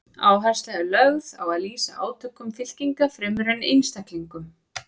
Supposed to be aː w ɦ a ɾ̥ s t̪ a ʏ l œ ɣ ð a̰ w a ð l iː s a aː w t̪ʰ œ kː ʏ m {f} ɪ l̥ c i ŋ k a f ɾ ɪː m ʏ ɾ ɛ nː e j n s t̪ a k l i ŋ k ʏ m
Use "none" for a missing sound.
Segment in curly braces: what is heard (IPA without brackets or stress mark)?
f